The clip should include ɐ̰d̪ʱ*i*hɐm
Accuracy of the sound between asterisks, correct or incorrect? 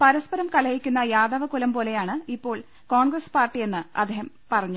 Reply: incorrect